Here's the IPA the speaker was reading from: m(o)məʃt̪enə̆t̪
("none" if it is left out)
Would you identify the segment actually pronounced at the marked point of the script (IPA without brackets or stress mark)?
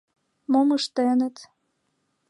o